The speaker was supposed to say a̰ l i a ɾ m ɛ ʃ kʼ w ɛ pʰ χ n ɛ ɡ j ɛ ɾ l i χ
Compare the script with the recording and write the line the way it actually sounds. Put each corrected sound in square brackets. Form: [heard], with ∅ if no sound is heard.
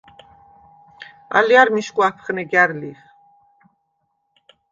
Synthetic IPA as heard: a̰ l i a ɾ m [i] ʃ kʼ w [a] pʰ χ n ɛ ɡ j [a] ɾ l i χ